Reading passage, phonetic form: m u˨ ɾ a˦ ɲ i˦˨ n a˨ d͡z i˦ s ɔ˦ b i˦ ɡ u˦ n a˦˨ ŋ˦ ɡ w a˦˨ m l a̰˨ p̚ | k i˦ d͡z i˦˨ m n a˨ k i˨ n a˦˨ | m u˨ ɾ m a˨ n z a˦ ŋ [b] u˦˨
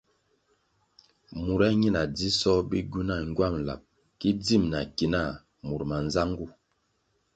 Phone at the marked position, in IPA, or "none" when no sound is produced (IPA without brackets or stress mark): ɡ